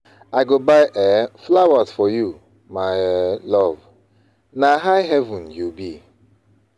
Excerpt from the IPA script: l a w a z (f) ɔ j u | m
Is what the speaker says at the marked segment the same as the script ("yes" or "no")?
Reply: yes